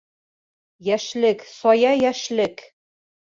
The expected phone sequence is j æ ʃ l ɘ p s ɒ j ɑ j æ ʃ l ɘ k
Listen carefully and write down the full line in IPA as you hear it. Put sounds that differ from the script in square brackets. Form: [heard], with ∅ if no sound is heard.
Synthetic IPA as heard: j æ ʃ l ɘ [k] s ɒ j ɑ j æ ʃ l ɘ k